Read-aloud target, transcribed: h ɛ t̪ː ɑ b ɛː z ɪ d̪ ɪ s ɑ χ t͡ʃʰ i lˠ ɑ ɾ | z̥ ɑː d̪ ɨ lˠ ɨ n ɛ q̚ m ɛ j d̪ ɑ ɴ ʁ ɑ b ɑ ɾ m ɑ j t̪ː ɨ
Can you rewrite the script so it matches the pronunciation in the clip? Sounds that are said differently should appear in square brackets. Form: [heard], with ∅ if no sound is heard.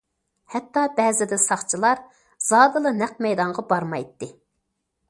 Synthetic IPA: h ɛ t̪ː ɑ b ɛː z ɪ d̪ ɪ s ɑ χ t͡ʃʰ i lˠ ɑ ɾ | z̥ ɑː d̪ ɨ lˠ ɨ n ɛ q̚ m ɛ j d̪ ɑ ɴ ʁ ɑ b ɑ ɾ m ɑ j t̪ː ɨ